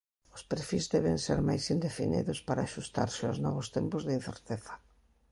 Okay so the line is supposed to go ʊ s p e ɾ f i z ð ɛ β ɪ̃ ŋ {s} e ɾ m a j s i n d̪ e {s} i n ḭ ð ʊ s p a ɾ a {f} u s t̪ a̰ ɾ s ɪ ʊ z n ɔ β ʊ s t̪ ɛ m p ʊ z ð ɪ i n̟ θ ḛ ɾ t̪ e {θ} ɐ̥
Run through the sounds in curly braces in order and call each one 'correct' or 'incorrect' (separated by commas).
correct, incorrect, incorrect, correct